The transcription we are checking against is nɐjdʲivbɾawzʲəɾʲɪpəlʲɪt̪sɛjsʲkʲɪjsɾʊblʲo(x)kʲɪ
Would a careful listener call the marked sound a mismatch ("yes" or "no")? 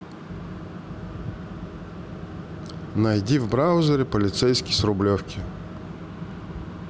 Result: yes